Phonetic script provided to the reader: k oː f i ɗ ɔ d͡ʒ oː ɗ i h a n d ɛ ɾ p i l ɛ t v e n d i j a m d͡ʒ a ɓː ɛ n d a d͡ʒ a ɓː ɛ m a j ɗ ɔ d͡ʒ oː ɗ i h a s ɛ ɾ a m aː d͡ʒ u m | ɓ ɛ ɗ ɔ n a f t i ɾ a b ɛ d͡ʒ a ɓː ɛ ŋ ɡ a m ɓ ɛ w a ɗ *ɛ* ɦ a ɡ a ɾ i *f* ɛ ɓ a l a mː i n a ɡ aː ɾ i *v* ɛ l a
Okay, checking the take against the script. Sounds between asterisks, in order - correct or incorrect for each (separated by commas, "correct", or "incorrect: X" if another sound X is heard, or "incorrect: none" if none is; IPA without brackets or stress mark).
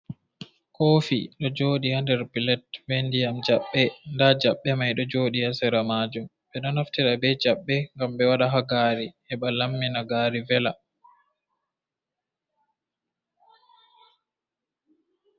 incorrect: a, incorrect: h, correct